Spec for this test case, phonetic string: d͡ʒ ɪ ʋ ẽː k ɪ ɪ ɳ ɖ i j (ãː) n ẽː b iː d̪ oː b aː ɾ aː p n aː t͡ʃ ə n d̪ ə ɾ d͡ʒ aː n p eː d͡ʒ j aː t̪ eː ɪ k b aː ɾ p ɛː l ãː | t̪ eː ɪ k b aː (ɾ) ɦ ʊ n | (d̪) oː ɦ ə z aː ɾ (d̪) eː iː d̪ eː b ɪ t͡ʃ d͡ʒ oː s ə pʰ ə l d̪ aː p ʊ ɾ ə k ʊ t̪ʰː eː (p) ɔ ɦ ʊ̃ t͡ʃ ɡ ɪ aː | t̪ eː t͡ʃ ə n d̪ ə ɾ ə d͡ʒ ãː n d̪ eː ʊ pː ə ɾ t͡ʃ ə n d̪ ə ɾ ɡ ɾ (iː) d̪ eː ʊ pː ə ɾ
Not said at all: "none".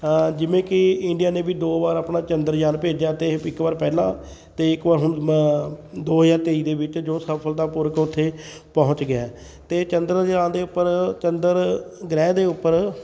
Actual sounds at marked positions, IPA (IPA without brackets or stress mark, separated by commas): aː, ɾ, d̪, t̪, p, ɛː